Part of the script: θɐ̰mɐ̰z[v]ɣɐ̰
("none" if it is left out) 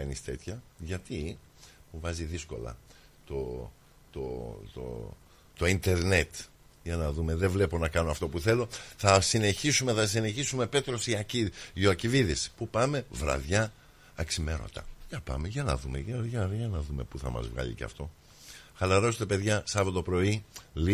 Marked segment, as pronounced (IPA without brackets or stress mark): v